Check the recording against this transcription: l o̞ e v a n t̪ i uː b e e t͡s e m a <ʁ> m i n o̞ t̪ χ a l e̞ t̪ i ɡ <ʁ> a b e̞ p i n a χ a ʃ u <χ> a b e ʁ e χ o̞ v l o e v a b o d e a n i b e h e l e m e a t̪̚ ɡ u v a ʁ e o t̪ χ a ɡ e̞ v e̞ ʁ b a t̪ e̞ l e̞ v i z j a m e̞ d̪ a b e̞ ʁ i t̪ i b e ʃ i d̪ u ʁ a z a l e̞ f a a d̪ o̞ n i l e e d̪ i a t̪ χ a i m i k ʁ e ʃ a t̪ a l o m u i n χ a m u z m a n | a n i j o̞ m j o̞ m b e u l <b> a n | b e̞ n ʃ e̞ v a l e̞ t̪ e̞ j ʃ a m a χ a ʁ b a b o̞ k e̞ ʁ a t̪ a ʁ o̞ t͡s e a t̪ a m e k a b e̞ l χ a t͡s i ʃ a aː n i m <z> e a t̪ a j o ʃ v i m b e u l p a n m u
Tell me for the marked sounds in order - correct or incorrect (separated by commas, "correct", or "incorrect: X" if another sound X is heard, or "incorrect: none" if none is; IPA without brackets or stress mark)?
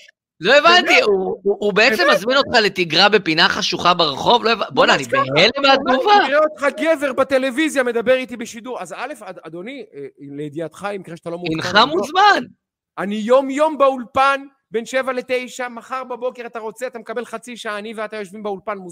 incorrect: z, correct, correct, incorrect: p, incorrect: v